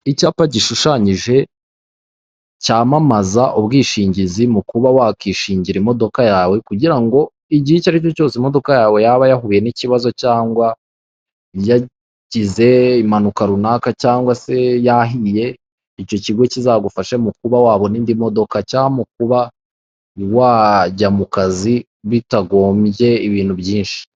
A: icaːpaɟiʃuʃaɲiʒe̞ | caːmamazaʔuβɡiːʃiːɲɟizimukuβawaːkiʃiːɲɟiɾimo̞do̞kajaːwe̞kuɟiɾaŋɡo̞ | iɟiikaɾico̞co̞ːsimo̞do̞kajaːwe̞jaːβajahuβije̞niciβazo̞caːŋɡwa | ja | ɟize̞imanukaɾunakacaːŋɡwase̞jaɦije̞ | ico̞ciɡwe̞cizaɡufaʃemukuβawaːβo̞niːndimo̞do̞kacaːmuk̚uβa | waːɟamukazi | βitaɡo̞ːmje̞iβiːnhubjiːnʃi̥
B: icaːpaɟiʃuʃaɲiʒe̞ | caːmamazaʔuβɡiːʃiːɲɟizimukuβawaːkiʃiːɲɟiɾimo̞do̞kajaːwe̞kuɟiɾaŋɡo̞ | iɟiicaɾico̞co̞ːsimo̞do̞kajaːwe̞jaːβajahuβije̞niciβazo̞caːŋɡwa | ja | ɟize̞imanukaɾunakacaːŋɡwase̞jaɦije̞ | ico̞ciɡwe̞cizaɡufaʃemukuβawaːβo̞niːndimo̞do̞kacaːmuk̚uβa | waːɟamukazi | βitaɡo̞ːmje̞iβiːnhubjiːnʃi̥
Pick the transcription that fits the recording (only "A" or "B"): B